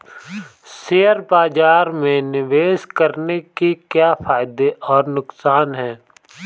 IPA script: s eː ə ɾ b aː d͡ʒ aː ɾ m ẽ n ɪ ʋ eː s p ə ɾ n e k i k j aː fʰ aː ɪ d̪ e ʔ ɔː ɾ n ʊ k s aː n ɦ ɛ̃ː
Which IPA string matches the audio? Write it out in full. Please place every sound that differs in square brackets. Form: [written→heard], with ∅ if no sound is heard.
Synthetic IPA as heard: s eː ə ɾ b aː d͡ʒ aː ɾ m ẽ n ɪ ʋ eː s [p→k] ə ɾ n e k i k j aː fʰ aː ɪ d̪ e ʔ ɔː ɾ n ʊ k s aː n ɦ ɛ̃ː